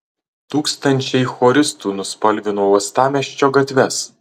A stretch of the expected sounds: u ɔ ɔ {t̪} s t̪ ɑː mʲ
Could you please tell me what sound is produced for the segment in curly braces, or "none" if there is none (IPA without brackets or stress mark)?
none